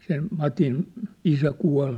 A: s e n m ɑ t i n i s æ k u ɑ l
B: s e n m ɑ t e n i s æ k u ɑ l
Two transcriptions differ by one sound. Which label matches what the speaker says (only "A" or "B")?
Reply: A